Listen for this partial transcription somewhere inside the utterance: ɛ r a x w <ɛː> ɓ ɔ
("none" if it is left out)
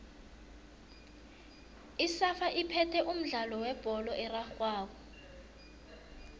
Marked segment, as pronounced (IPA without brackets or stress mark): aː